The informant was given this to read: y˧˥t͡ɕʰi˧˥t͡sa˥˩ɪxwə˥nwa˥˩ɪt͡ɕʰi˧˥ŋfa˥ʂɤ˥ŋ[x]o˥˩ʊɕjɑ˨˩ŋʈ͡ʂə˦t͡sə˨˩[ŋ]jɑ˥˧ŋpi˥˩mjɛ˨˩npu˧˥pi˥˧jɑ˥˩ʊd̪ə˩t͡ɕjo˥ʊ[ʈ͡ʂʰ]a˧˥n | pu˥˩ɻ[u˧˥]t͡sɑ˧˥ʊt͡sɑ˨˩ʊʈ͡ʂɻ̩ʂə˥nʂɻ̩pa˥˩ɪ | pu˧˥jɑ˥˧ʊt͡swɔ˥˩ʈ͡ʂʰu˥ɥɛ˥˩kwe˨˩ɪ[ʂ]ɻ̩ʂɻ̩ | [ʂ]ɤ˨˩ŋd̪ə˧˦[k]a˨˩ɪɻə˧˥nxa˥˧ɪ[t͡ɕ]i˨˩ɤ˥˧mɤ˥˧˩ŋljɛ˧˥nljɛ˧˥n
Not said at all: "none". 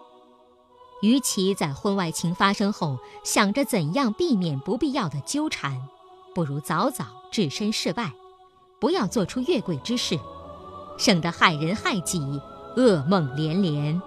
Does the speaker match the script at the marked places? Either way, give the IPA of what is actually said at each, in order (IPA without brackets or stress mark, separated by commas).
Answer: x, n, ʈ͡ʂʰ, u˧˥, ʈ͡ʂ, ʂ, x, t͡ɕ